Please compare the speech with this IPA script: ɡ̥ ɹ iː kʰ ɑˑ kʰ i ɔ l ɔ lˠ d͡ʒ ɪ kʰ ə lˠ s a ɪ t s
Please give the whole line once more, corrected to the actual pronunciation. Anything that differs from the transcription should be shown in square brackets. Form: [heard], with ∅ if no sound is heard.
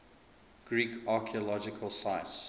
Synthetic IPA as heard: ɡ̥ ɹ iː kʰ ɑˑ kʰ i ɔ l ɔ [∅] d͡ʒ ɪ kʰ ə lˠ s a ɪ t s